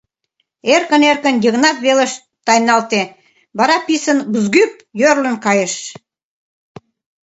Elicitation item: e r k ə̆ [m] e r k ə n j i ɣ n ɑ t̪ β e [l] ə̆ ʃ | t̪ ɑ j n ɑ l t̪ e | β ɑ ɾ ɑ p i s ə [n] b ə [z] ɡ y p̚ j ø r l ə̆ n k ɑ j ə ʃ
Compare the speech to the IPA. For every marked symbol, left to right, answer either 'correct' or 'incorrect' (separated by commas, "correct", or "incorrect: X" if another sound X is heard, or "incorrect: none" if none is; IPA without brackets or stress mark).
incorrect: n, correct, correct, correct